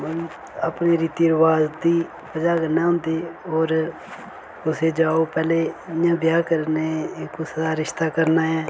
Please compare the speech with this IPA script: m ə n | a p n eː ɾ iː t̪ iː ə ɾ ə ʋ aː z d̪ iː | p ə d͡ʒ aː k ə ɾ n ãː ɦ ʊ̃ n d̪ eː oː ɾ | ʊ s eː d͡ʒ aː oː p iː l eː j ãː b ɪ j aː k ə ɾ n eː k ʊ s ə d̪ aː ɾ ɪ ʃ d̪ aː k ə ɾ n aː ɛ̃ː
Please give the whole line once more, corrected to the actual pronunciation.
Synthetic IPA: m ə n | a p n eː ɾ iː t̪ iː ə ɾ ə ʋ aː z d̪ iː | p ə d͡ʒ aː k ə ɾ n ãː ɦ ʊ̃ n d̪ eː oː ɾ | ʊ s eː d͡ʒ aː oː p ɛː l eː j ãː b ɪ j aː k ə ɾ n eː k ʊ s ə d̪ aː ɾ ɪ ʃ t̪ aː k ə ɾ n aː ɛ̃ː